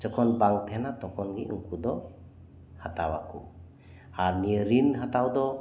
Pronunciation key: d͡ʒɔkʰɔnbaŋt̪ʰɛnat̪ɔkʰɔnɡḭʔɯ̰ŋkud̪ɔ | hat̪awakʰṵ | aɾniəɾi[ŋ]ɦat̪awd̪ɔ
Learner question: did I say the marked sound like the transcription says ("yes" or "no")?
no